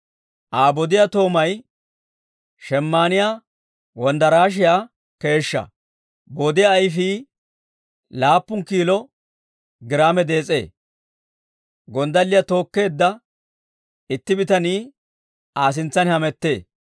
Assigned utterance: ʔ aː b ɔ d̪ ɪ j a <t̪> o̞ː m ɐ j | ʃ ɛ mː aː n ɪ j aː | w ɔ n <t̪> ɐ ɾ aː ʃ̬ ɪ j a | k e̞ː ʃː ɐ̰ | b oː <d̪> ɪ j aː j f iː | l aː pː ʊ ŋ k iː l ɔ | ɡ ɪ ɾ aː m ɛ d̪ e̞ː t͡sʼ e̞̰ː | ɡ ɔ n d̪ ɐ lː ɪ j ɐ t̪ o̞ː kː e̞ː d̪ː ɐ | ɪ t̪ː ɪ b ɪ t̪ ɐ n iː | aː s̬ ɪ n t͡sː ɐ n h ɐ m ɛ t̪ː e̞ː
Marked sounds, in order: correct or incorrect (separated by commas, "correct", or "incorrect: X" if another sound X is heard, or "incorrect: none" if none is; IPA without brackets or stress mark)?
correct, incorrect: d̪, correct